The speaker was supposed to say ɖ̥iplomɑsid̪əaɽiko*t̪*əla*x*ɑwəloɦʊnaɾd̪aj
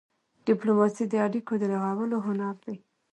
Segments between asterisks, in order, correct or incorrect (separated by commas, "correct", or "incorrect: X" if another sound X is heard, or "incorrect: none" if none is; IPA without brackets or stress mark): incorrect: d̪, incorrect: ɣ